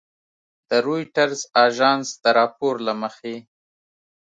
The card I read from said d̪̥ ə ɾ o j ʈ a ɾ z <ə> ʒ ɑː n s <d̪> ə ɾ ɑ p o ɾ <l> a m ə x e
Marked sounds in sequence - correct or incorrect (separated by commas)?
incorrect, correct, correct